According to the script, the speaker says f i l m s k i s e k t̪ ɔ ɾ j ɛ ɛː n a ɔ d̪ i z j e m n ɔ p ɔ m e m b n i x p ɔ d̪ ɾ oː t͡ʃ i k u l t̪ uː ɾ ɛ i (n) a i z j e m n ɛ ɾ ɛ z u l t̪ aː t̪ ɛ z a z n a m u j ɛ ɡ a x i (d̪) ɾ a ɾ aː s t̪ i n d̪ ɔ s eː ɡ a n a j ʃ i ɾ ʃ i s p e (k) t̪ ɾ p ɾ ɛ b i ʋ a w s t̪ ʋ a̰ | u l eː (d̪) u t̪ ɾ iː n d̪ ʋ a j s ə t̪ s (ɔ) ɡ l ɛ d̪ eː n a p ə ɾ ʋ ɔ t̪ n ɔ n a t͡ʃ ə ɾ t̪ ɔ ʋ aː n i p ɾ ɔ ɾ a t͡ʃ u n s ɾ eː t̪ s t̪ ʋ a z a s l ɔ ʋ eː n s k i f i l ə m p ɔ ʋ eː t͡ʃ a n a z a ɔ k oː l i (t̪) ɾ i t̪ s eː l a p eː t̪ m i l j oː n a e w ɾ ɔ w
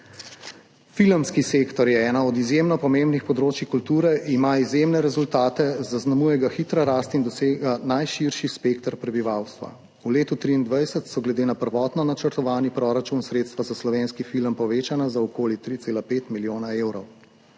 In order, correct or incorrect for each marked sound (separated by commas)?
incorrect, incorrect, correct, incorrect, correct, correct